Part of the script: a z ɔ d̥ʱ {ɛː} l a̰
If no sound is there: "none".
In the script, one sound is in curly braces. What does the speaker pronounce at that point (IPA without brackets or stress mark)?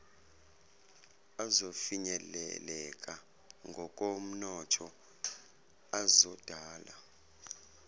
aː